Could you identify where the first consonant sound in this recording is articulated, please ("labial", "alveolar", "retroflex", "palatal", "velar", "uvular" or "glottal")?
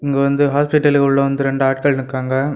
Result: velar